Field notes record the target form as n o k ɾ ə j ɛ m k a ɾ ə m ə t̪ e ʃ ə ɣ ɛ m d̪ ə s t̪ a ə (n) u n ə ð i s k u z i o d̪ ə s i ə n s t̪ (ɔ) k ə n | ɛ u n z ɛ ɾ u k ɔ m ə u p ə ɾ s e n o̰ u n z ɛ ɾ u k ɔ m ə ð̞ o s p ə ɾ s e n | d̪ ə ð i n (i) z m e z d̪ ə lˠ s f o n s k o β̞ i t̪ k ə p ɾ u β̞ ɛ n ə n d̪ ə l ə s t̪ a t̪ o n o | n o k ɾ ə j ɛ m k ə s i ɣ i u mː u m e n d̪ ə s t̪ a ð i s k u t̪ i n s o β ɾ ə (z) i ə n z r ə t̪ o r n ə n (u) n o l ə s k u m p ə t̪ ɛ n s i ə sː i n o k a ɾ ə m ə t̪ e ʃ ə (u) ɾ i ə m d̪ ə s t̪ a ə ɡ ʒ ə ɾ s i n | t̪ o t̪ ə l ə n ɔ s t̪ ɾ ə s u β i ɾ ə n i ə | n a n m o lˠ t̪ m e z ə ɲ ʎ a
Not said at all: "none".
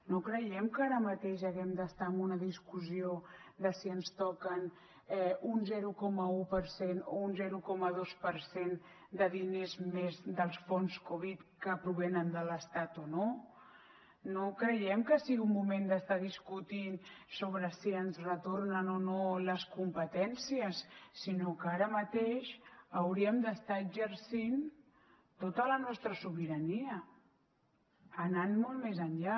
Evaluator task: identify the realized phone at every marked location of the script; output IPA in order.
m, ɔ, e, s, o, w

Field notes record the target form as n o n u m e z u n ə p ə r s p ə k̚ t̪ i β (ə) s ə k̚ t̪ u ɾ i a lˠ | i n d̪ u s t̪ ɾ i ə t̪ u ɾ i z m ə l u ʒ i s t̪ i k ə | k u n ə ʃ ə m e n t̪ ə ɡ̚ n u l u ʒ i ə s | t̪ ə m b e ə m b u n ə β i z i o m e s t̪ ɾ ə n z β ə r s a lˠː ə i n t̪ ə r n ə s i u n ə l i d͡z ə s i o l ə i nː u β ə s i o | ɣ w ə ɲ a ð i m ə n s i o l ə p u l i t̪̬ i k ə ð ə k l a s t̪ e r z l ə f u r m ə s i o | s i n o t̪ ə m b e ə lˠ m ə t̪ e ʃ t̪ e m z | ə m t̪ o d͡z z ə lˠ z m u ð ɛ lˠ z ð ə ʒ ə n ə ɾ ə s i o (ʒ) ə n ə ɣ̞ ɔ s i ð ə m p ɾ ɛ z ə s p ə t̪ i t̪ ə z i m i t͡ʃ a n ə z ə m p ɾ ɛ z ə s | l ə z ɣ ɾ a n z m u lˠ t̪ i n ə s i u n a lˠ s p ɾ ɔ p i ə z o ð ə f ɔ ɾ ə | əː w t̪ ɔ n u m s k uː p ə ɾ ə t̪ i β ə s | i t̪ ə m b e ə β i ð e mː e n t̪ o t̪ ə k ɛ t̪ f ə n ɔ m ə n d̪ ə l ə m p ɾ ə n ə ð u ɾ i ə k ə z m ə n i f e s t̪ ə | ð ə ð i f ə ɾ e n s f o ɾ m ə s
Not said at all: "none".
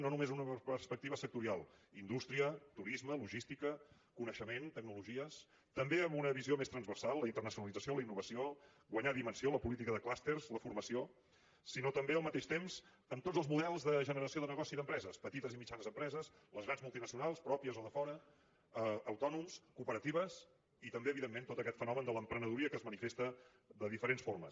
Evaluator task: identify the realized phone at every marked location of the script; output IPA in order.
ə, ð

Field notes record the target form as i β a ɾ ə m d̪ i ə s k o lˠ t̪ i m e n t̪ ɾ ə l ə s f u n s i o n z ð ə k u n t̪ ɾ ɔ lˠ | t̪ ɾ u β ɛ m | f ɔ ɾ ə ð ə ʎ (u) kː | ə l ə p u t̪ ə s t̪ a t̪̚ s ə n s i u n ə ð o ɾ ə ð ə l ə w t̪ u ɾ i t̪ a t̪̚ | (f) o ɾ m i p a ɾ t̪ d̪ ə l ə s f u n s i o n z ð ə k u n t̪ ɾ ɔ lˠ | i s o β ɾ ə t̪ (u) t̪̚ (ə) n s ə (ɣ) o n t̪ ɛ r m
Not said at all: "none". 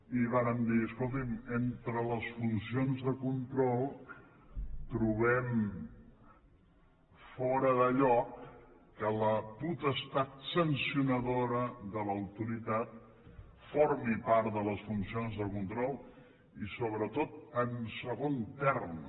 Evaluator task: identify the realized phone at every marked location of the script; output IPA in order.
ɔ, f, o, ə, ɣ

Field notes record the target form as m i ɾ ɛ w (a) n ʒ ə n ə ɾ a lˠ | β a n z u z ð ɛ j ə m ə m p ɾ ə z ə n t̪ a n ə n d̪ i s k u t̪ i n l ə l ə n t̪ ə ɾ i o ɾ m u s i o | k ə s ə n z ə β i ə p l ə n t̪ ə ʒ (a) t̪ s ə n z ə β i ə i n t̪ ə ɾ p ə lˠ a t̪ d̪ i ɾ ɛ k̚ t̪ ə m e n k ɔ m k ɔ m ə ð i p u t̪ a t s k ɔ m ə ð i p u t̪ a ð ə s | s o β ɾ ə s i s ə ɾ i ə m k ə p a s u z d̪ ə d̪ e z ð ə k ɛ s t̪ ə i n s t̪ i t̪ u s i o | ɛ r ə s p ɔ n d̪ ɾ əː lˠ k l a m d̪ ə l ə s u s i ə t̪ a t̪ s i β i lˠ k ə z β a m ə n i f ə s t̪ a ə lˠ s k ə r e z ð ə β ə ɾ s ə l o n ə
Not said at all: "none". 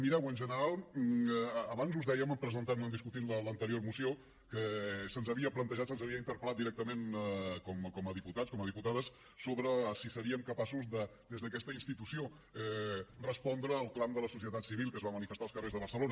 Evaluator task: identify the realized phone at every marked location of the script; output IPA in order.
ə, a

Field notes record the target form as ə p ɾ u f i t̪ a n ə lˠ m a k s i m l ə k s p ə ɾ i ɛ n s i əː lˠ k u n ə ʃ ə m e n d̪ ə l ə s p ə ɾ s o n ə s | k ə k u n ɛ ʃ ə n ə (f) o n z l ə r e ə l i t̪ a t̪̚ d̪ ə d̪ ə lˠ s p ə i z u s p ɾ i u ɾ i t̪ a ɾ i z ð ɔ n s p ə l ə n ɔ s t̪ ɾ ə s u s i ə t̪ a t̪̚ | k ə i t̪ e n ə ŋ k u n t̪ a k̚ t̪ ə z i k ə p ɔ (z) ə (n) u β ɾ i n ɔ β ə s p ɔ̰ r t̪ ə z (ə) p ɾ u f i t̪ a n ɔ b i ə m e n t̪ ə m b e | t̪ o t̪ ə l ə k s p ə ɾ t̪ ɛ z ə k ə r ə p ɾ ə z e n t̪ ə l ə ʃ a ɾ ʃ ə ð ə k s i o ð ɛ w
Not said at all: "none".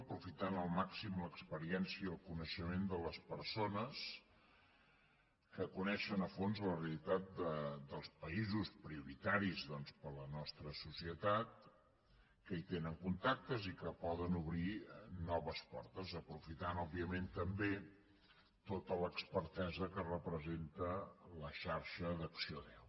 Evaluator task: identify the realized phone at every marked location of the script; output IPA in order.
f, ð, n, ə

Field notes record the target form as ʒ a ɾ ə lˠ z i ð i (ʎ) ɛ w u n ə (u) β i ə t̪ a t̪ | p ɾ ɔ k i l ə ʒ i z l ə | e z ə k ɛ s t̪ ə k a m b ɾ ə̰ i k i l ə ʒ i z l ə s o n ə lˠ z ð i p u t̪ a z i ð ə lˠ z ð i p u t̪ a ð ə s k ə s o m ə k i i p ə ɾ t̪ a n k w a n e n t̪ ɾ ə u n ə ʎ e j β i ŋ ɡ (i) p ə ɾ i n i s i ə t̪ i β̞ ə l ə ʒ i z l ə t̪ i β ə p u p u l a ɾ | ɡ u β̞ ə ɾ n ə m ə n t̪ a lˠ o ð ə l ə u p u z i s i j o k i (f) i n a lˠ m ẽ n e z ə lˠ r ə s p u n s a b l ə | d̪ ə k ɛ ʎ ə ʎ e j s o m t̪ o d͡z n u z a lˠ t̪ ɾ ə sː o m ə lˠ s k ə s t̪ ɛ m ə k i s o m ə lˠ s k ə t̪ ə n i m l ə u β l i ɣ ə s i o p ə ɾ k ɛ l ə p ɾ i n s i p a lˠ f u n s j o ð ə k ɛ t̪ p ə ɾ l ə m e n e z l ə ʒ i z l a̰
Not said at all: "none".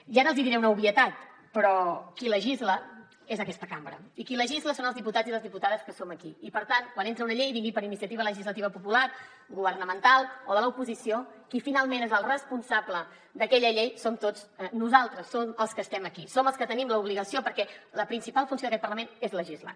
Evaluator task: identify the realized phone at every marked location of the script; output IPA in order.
ɾ, u, i, f

